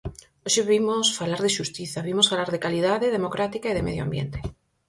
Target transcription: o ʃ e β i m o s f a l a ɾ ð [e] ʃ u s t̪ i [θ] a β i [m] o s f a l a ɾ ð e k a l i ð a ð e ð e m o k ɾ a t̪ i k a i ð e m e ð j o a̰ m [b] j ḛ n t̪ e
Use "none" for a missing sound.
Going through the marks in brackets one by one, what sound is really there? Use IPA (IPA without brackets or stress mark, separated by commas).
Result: e, θ, m, b